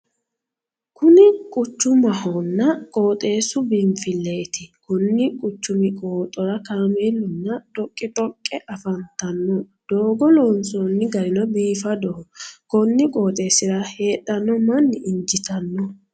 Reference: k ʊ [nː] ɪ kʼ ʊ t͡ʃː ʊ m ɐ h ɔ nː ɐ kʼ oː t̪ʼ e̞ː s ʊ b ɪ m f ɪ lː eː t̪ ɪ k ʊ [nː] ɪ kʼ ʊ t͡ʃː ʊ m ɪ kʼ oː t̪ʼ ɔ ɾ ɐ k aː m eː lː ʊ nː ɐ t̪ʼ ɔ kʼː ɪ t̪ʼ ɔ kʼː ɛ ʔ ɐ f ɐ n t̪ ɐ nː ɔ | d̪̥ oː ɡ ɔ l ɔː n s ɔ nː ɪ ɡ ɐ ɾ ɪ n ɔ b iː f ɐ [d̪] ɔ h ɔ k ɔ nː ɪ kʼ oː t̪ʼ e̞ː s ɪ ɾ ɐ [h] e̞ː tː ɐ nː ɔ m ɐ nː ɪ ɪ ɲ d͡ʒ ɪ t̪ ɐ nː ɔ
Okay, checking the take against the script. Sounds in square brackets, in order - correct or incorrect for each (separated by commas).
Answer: incorrect, correct, correct, correct